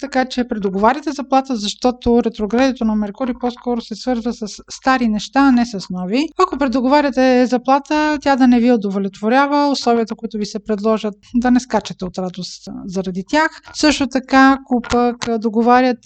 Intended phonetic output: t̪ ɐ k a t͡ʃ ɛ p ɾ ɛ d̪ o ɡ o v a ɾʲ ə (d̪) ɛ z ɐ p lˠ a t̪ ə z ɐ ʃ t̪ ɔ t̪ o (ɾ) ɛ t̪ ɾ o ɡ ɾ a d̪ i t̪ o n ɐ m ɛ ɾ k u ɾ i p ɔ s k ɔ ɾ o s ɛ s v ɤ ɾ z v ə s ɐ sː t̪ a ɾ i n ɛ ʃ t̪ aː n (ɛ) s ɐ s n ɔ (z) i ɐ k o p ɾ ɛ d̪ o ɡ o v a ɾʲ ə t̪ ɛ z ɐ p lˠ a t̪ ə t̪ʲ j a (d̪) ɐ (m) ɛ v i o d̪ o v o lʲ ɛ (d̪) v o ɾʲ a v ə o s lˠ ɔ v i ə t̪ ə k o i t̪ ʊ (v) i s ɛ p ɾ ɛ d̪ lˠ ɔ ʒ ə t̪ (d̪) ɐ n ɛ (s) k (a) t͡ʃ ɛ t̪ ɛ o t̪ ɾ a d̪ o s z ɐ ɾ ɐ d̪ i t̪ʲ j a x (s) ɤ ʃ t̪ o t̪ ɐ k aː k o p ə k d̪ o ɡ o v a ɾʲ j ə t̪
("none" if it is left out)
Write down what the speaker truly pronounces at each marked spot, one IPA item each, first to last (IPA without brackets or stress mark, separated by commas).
t̪, ɾ, ɛ, v, d̪, n, t̪, v, d̪, s, a, s